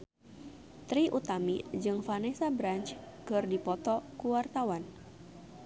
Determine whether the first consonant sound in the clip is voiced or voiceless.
voiceless